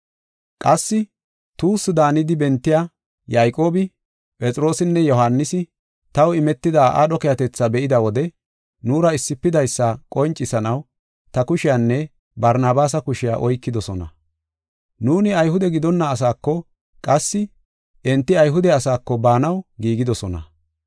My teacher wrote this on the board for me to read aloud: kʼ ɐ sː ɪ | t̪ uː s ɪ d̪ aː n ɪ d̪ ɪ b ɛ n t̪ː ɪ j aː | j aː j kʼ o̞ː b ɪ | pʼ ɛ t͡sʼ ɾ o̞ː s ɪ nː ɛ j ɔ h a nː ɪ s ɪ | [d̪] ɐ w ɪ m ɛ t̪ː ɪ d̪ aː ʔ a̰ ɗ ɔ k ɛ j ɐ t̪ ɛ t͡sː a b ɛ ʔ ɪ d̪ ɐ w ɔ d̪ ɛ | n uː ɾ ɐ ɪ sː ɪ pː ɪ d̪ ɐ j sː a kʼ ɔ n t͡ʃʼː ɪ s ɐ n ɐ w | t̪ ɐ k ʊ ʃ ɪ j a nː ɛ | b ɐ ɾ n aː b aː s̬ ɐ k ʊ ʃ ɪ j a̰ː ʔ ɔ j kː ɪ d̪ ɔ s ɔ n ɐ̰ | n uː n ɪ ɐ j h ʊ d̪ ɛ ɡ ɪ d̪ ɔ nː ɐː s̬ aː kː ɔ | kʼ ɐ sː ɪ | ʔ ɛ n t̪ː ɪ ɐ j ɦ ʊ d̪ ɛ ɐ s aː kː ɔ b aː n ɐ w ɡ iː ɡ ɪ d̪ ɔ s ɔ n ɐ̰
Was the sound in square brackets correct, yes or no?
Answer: no